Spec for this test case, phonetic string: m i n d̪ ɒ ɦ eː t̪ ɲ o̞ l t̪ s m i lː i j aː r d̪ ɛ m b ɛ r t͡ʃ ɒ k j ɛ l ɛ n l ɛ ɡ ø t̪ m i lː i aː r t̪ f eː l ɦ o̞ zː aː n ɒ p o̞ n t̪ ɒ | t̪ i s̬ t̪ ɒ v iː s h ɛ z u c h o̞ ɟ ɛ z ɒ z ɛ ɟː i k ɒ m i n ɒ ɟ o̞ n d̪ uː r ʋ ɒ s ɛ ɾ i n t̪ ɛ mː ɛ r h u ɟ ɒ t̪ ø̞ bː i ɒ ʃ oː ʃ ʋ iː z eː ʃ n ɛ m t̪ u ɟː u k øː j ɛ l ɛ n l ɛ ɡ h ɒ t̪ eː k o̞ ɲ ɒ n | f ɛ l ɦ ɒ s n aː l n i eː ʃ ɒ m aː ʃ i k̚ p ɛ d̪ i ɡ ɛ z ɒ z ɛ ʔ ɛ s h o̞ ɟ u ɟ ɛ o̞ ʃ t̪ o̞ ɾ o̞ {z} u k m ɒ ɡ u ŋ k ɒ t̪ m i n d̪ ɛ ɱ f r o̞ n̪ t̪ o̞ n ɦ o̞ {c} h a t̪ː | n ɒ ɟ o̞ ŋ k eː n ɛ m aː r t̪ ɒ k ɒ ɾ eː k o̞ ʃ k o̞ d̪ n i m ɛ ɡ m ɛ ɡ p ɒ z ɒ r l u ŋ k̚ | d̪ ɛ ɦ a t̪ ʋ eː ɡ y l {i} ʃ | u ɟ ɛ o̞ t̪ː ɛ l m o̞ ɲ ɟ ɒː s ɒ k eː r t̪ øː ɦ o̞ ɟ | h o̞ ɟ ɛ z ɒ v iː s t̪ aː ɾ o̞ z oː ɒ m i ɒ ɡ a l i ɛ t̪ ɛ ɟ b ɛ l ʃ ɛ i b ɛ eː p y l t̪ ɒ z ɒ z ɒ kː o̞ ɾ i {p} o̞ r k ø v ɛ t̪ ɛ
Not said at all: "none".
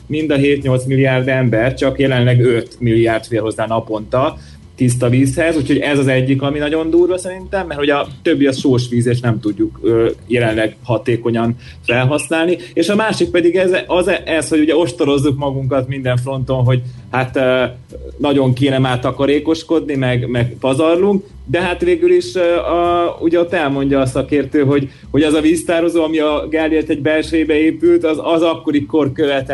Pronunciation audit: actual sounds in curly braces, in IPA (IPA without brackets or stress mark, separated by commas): zː, ɟ, i, k